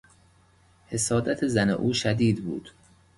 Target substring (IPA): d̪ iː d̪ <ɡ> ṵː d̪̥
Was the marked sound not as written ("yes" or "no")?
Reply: yes